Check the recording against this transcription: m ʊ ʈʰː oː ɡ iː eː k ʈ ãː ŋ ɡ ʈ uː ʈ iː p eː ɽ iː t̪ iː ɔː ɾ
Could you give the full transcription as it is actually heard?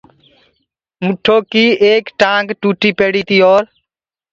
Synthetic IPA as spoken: m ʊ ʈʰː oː k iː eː k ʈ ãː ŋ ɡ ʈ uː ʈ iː p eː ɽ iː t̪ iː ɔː ɾ